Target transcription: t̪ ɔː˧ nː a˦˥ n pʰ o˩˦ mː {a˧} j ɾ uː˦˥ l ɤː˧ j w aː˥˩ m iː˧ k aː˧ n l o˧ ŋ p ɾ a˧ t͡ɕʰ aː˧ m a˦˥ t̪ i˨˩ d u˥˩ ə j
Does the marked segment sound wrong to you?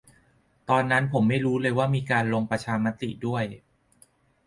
yes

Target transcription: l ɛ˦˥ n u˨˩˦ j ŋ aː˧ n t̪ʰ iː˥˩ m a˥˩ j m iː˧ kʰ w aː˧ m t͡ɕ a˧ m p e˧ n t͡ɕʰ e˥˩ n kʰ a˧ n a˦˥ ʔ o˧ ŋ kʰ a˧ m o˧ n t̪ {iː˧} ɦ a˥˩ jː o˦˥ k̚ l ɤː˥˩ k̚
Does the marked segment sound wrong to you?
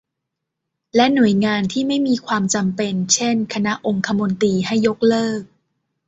no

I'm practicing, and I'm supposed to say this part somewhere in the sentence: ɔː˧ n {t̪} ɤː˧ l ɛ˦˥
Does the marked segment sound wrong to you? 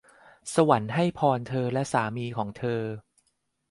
yes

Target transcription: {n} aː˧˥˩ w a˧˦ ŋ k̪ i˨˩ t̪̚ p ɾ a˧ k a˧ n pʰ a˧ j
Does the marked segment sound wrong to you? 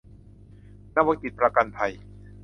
no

